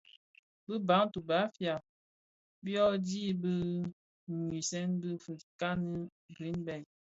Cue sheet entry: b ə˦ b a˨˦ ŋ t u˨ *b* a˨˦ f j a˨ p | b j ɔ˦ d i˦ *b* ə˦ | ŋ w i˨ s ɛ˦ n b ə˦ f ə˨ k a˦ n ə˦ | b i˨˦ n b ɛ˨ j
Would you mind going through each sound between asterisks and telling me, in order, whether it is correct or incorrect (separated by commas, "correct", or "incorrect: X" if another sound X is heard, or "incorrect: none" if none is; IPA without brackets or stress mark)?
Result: correct, correct